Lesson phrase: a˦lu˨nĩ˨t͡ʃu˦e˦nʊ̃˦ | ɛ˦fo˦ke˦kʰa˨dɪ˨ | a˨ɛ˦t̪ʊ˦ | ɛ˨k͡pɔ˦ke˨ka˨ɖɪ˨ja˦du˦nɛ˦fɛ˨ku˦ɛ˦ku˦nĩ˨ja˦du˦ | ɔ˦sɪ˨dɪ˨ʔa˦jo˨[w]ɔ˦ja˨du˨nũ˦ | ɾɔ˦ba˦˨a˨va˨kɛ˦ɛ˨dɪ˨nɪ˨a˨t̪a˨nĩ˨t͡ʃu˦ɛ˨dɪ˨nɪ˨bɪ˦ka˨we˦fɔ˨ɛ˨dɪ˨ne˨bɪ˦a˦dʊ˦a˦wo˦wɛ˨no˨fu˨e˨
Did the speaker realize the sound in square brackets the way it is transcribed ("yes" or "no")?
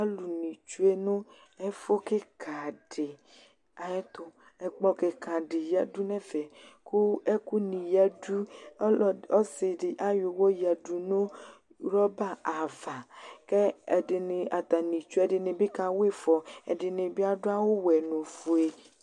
yes